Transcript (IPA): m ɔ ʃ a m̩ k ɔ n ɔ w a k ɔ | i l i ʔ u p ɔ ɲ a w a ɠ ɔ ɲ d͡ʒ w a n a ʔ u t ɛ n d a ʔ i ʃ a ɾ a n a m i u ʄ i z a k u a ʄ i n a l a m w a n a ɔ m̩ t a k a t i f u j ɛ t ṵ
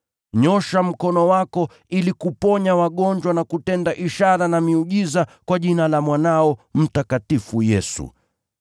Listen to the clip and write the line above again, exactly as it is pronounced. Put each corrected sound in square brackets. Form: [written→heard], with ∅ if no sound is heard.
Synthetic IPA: [m→ɲ] ɔ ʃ a m̩ k ɔ n ɔ w a k ɔ | i l i [ʔ→k] u p ɔ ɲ a w a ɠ ɔ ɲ d͡ʒ w a n a [ʔ→k] u t ɛ n d a ʔ i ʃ a ɾ a n a m i u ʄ i z a k [u→w] a ʄ i n a l a m w a n a ɔ m̩ t a k a t i f u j ɛ [t→s] ṵ